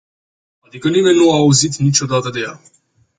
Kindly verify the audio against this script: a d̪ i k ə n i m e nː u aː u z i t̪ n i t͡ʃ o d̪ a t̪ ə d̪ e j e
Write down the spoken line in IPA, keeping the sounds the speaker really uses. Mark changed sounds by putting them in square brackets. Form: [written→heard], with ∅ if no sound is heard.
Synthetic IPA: a d̪ i k ə n i m e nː u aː u z i t̪ n i t͡ʃ o d̪ a t̪ ə d̪ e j [e→a]